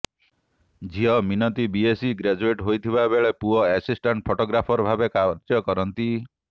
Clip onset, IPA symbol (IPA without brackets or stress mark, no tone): d͡ʒ